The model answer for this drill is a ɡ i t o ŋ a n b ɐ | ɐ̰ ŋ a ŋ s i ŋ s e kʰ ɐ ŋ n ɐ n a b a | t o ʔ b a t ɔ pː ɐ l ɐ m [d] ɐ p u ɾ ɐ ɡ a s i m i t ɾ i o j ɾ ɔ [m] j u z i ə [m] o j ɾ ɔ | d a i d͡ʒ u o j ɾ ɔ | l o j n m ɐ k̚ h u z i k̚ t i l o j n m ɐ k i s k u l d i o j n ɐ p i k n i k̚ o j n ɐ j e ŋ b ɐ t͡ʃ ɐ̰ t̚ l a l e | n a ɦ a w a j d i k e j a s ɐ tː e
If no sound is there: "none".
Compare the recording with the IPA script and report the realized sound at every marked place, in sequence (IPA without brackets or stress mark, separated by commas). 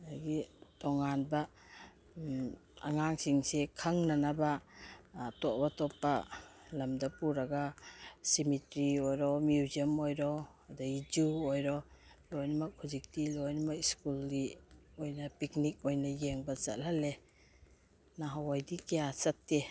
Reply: d, m, m